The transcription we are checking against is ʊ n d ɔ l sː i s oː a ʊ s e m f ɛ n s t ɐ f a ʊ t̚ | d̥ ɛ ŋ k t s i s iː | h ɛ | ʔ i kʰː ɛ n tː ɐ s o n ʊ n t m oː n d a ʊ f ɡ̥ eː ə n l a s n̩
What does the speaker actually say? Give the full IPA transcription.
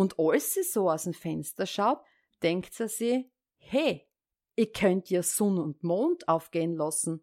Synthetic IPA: ʊ n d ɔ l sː i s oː a ʊ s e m f ɛ n s t ɐ ʃ a ʊ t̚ | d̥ ɛ ŋ k t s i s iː | h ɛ | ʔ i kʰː œ n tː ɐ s ɔ n ʊ n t m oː n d a ʊ f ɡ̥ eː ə n l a s n̩